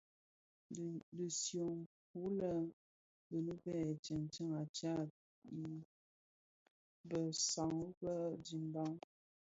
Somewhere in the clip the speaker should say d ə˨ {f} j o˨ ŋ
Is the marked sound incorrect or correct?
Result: incorrect